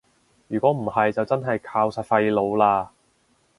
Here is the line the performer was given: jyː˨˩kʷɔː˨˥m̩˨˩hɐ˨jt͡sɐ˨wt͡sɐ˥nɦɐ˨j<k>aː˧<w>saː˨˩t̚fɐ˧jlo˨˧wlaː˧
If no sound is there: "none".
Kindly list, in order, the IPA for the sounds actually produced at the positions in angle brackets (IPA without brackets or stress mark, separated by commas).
kʰ, w